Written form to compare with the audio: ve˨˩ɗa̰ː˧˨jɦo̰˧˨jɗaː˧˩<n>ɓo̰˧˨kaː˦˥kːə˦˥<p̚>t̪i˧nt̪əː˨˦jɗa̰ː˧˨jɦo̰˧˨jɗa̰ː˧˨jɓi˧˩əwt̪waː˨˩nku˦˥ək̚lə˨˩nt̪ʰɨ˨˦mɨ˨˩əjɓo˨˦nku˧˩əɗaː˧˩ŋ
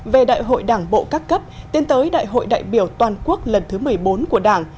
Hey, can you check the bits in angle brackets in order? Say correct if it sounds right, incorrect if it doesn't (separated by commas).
incorrect, correct